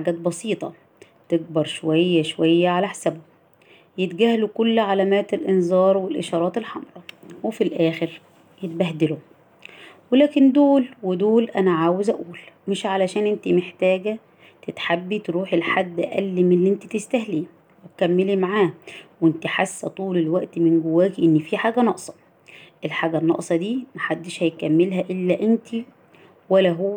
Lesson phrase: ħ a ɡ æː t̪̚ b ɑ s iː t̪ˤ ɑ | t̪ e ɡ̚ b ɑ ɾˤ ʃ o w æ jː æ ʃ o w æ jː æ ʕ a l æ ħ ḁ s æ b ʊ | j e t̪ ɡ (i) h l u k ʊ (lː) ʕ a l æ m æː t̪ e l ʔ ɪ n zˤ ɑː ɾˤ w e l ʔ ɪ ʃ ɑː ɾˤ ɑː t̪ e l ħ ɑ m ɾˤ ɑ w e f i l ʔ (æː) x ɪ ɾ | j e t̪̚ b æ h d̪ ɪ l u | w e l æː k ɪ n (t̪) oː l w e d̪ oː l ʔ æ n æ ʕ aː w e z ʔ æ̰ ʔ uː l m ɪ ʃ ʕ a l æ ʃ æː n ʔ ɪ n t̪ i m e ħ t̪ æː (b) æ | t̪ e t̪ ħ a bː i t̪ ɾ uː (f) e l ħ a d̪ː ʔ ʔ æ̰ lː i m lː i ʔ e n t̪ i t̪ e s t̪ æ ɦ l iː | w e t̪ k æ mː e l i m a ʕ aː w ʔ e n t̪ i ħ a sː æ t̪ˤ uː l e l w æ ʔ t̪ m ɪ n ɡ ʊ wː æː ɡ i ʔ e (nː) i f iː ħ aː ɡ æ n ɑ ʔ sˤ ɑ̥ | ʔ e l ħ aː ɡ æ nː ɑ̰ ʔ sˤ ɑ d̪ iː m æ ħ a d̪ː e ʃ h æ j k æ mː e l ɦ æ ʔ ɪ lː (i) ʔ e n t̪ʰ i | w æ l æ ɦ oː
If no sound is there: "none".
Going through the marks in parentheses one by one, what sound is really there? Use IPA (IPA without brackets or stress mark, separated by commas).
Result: æ, lː, æː, d̪, ɡ, ħ, nː, æ